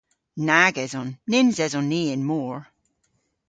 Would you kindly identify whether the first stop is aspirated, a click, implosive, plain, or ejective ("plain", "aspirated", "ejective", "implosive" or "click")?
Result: plain